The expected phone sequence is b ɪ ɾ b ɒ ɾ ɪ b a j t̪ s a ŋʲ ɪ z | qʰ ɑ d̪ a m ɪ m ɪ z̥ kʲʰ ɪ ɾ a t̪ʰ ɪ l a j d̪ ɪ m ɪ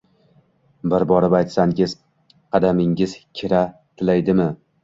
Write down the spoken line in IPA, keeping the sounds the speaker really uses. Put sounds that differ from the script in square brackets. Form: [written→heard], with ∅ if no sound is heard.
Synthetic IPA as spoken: b ɪ ɾ b ɒ ɾ ɪ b a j t̪ s a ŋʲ ɪ z | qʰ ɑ d̪ a m ɪ [m→ŋ] ɪ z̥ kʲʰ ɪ ɾ a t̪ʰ ɪ l a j d̪ ɪ m ɪ

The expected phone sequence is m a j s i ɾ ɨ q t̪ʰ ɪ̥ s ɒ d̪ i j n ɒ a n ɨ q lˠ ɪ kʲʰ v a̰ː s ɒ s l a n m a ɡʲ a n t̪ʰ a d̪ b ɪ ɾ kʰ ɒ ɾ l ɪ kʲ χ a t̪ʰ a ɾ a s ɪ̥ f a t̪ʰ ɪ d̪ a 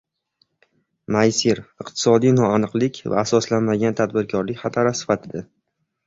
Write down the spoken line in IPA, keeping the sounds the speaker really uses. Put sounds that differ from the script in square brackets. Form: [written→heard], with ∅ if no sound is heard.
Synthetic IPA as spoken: m a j s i ɾ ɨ q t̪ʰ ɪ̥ s ɒ d̪ i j n ɒ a n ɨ q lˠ ɪ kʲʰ v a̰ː s ɒ s l a n m a ɡʲ a n t̪ʰ a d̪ b ɪ ɾ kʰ ɒ ɾ l ɪ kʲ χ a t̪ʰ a ɾ a s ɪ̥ f a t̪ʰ ɪ d̪ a

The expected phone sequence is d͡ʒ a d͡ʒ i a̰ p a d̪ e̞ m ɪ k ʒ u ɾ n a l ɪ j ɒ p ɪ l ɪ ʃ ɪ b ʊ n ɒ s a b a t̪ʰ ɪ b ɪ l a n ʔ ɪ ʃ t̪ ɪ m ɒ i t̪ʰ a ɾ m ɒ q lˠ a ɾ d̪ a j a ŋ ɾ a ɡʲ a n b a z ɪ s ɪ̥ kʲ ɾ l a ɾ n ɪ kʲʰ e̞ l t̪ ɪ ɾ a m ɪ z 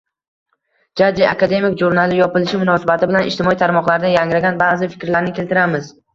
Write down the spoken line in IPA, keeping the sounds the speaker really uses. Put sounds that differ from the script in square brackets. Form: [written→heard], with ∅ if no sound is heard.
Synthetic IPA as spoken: d͡ʒ a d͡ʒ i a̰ [p→k] a d̪ e̞ m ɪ k ʒ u ɾ n a l ɪ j ɒ p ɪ l ɪ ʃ ɪ [b→m] ʊ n ɒ s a b a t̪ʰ ɪ b ɪ l a n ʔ ɪ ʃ t̪ ɪ m ɒ i t̪ʰ a ɾ m ɒ q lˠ a ɾ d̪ a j a ŋ ɾ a ɡʲ a n b a z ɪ [s→f] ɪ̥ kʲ ɾ l a ɾ n ɪ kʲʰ e̞ l t̪ ɪ ɾ a m ɪ z

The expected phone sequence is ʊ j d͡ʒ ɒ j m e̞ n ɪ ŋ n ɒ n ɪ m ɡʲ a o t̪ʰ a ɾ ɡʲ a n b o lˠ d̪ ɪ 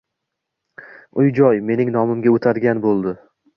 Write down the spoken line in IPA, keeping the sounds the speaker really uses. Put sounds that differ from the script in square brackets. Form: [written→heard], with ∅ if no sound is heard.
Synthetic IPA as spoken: ʊ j d͡ʒ ɒ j m e̞ n ɪ ŋ n ɒ [n→m] ɪ m ɡʲ a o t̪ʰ a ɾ ɡʲ a n b o lˠ d̪ ɪ

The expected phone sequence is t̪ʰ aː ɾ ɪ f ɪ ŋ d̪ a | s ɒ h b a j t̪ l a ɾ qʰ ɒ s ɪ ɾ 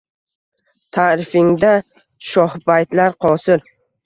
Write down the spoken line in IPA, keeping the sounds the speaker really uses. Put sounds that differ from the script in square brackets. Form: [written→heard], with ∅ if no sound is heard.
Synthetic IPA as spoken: t̪ʰ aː ɾ ɪ f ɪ ŋ d̪ a | [s→ʃ] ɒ h b a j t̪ l a ɾ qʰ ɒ s ɪ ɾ

